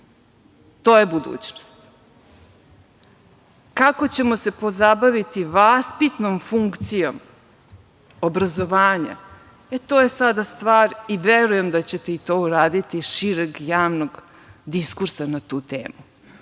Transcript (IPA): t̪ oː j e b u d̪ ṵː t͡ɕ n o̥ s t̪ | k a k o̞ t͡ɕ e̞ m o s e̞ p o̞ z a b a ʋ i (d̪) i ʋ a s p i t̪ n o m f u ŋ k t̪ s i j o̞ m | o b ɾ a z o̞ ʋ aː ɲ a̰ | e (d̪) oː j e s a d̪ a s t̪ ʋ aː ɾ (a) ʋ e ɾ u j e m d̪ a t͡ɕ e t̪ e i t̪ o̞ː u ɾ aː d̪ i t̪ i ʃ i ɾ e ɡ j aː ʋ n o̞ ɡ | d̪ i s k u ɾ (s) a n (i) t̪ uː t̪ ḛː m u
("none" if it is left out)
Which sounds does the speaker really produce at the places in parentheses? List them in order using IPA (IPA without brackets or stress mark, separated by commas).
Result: t̪, t̪, i, s, a